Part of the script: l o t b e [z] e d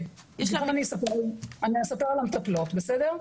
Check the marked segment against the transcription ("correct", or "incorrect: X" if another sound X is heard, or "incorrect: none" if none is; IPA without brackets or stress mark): incorrect: s